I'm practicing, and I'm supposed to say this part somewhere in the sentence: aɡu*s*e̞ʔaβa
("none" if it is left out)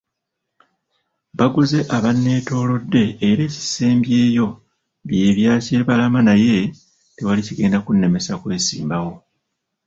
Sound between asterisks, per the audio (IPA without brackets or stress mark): z